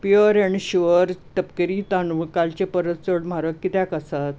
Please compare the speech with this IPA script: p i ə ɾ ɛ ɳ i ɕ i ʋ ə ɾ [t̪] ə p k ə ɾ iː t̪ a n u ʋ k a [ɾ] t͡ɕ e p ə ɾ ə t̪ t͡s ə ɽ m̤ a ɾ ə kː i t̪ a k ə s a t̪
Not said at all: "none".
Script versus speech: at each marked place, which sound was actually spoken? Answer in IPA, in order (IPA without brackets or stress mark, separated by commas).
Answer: t̪, l